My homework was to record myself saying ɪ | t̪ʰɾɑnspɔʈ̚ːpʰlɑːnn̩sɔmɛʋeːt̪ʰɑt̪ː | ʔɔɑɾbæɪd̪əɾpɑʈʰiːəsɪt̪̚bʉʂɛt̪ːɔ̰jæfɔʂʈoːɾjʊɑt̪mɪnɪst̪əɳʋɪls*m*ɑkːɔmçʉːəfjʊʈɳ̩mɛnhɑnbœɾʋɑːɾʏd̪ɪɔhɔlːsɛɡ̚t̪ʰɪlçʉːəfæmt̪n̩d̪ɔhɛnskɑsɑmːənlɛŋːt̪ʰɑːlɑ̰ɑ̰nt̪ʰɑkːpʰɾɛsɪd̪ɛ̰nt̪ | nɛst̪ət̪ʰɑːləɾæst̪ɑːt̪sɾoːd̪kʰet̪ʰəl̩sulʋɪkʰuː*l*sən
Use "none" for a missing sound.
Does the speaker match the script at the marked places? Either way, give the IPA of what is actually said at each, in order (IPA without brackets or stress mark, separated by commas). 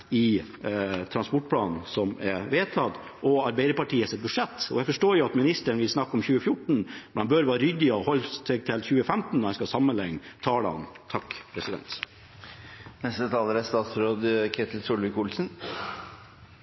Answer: n, l